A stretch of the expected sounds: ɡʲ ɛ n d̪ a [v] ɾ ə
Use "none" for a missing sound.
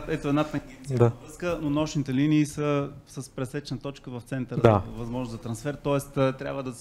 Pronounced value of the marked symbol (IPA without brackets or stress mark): v